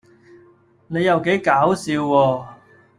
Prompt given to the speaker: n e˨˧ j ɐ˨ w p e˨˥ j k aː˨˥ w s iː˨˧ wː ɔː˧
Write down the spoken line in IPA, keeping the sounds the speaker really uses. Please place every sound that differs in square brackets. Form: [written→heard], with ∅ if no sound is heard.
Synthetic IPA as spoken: n e˨˧ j ɐ˨ w [p→k] e˨˥ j k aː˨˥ w s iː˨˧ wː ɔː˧